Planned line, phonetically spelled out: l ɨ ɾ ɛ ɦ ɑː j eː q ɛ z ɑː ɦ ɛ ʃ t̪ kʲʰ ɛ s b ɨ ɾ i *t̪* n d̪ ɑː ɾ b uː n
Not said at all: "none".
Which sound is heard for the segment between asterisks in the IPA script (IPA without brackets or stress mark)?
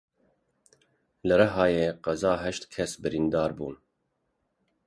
none